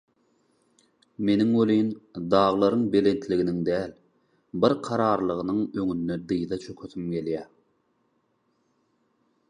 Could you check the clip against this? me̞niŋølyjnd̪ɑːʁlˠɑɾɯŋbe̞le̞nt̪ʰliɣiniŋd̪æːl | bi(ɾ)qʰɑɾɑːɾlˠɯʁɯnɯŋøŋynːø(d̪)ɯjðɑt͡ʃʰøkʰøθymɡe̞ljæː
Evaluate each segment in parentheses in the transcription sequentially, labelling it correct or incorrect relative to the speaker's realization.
correct, correct

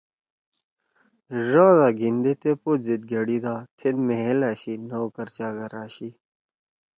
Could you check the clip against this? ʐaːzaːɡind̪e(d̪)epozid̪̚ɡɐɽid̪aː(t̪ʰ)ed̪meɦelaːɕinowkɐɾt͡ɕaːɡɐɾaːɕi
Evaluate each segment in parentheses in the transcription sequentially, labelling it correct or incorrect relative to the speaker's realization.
incorrect: t̪, correct

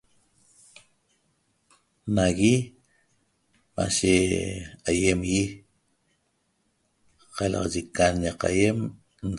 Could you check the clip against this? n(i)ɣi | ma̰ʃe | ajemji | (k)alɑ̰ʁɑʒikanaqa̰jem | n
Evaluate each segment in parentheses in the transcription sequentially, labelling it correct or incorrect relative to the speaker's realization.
incorrect: a, incorrect: q

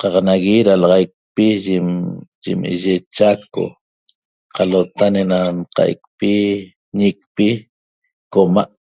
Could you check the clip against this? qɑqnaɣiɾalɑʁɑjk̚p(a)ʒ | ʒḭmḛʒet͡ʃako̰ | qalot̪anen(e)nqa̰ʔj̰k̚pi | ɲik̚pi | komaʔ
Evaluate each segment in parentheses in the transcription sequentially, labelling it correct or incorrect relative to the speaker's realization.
incorrect: i, incorrect: a

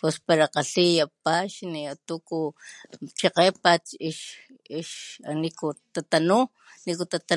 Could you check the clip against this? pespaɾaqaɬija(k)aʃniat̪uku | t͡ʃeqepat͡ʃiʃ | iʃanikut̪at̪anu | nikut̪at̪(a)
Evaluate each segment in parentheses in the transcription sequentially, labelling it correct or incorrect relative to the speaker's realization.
incorrect: p, correct

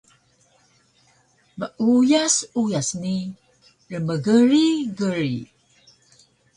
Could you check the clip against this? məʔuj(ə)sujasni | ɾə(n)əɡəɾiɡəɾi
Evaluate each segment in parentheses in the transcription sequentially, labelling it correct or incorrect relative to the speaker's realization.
incorrect: a, incorrect: m

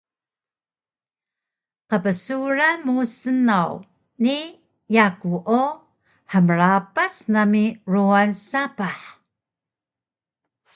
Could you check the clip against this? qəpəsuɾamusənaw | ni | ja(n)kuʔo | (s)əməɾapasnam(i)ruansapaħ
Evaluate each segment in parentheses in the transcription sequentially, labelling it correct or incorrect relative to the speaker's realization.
incorrect: none, incorrect: ħ, correct

